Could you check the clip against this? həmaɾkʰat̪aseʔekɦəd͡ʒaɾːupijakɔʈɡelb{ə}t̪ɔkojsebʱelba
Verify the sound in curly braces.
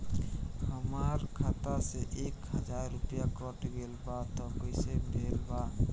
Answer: incorrect: a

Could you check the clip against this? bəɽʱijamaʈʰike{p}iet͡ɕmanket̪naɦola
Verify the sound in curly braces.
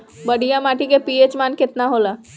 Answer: correct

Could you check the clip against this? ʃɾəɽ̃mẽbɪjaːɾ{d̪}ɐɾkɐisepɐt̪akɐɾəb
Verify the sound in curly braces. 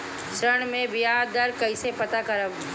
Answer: correct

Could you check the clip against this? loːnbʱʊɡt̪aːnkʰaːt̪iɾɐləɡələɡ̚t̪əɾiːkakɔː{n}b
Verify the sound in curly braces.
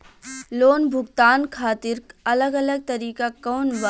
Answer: correct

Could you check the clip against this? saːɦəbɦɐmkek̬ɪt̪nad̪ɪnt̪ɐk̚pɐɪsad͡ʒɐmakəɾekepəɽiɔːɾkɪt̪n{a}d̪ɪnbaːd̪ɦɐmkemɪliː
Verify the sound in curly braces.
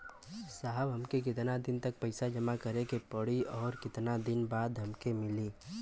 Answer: correct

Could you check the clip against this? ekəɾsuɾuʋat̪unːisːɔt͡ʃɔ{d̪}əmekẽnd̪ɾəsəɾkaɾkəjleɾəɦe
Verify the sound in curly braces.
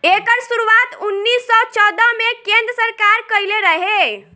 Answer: correct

